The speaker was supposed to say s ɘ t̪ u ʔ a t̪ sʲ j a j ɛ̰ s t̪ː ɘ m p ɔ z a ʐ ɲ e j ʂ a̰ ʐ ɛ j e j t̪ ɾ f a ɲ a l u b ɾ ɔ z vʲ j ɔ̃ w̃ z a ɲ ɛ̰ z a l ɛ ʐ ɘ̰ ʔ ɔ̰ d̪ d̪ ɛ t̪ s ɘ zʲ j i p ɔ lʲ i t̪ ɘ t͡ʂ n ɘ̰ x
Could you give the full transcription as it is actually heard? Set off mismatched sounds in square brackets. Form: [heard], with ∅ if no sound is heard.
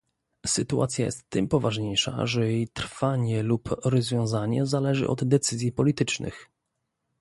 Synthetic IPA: s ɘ t̪ u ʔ a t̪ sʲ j a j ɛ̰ s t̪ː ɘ m p ɔ [v] a ʐ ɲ e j ʂ a̰ ʐ ɛ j e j t̪ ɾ f a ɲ [ɛ] l u [p] ɾ ɔ z vʲ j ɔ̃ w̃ z a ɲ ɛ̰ z a l ɛ ʐ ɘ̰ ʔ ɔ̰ d̪ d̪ ɛ t̪ s ɘ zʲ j i p ɔ lʲ i t̪ ɘ t͡ʂ n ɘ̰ x